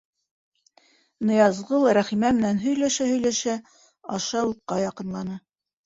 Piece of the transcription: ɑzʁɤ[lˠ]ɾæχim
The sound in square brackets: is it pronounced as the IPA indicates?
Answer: yes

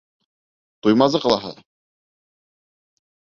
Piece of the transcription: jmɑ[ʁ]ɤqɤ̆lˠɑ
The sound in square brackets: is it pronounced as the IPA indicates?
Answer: no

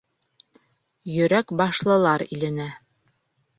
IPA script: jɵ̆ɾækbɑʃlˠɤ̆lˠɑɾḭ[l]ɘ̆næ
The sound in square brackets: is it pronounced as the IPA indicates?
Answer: yes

